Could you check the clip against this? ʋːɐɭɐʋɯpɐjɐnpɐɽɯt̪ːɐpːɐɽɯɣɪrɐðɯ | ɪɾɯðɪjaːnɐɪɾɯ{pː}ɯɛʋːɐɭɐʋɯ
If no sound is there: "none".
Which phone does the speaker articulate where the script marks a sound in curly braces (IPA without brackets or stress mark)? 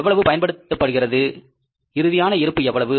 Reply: pː